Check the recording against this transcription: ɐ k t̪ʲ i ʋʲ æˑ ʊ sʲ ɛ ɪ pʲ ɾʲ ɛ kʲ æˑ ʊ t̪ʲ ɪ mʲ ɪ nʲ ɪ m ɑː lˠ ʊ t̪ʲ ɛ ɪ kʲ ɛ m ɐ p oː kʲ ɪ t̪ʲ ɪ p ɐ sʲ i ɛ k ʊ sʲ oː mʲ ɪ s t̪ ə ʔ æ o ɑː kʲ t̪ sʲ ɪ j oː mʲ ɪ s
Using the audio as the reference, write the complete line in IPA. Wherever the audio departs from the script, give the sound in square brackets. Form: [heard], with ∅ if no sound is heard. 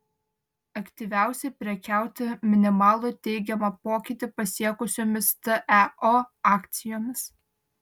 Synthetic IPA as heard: ɐ k t̪ʲ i ʋʲ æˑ ʊ sʲ ɛ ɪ pʲ ɾʲ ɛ kʲ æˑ ʊ t̪ʲ ɪ mʲ ɪ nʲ ɪ m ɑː lˠ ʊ t̪ʲ ɛ ɪ [ɡʲ] ɛ m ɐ p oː kʲ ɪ t̪ʲ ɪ p ɐ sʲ i ɛ k ʊ sʲ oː mʲ ɪ s t̪ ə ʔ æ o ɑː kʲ t̪ sʲ ɪ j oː mʲ ɪ s

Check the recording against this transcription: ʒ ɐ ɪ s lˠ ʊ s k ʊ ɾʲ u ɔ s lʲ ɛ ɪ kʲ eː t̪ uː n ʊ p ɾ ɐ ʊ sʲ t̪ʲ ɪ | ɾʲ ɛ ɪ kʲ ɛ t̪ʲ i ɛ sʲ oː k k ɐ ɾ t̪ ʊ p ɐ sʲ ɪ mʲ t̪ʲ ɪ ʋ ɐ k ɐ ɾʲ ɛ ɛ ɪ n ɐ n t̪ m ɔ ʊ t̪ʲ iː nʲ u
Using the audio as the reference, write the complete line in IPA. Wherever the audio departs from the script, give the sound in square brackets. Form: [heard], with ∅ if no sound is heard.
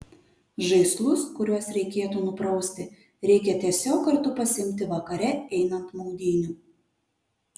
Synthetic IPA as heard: ʒ ɐ ɪ s lˠ ʊ s k ʊ ɾʲ u ɔ s [ɾʲ] ɛ ɪ kʲ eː t̪ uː n ʊ p ɾ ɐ ʊ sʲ t̪ʲ ɪ | ɾʲ ɛ ɪ kʲ ɛ t̪ʲ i ɛ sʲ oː k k ɐ ɾ t̪ ʊ p ɐ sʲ ɪ mʲ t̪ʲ ɪ ʋ ɐ k ɐ ɾʲ ɛ ɛ ɪ n ɐ n t̪ m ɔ ʊ [d̪ʲ] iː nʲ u

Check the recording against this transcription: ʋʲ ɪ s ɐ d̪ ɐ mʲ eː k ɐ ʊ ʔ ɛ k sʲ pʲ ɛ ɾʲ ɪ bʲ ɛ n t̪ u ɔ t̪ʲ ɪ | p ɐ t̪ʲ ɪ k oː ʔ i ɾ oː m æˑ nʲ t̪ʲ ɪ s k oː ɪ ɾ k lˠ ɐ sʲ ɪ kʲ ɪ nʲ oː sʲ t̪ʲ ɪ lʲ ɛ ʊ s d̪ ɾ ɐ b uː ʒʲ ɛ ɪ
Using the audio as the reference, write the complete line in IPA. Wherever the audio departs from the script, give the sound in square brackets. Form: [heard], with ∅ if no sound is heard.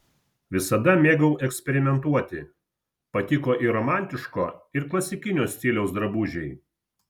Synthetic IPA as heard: ʋʲ ɪ s ɐ d̪ ɐ mʲ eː [ɡ] ɐ ʊ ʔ ɛ k sʲ pʲ ɛ ɾʲ ɪ [mʲ] ɛ n t̪ u ɔ t̪ʲ ɪ | p ɐ t̪ʲ ɪ k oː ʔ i ɾ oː m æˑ nʲ t̪ʲ ɪ [ʃ] k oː ɪ ɾ k lˠ ɐ sʲ ɪ kʲ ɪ nʲ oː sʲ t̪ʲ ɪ lʲ ɛ ʊ s d̪ ɾ ɐ b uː ʒʲ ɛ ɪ

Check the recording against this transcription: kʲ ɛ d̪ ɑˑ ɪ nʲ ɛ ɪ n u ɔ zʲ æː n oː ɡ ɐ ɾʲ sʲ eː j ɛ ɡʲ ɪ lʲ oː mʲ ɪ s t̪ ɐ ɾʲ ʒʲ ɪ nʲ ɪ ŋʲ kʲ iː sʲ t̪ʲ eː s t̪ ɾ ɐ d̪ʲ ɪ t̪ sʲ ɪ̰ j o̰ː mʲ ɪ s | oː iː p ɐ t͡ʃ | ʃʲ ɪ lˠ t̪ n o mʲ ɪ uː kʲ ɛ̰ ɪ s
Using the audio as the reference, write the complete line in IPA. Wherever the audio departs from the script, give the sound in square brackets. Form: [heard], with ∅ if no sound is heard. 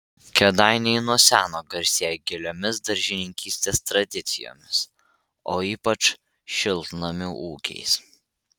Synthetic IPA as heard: kʲ ɛ d̪ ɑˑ ɪ nʲ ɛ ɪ n u ɔ [sʲ] æː n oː ɡ ɐ ɾʲ sʲ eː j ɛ ɡʲ ɪ lʲ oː mʲ ɪ s [d̪] ɐ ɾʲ ʒʲ ɪ nʲ ɪ ŋʲ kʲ iː sʲ t̪ʲ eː s t̪ ɾ ɐ d̪ʲ ɪ t̪ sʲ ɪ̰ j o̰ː mʲ ɪ s | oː iː p ɐ t͡ʃ | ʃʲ ɪ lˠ t̪ n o mʲ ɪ uː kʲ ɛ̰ ɪ s

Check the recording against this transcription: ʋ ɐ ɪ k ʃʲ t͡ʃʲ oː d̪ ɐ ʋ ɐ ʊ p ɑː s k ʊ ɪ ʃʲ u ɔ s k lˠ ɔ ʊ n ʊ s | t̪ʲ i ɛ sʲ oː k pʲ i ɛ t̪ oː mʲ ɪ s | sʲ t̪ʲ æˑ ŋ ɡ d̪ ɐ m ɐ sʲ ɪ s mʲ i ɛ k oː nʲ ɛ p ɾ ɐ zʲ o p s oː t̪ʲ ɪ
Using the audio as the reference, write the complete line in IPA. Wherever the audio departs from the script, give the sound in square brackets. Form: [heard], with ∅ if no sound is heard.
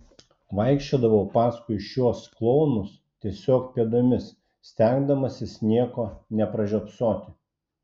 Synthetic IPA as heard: ʋ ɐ ɪ k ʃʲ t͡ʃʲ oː d̪ ɐ ʋ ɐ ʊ p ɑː s k ʊ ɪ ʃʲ u ɔ s k lˠ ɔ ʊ n ʊ s | t̪ʲ i ɛ sʲ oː k pʲ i ɛ [d̪] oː mʲ ɪ s | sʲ t̪ʲ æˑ ŋ ɡ d̪ ɐ m ɐ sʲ ɪ s [nʲ] i ɛ k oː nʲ ɛ p ɾ ɐ [ʒʲ] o p s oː t̪ʲ ɪ

